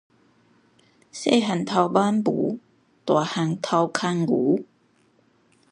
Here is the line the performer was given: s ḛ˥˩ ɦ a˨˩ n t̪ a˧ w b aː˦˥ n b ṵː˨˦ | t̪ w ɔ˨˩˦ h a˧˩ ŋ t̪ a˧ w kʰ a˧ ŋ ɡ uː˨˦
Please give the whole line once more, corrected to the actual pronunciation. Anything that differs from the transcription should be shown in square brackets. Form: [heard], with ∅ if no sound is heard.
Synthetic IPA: s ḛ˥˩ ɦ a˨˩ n [t̪ʰ] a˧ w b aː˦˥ n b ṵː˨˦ | t̪ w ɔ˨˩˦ h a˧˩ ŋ [t̪ʰ] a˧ w kʰ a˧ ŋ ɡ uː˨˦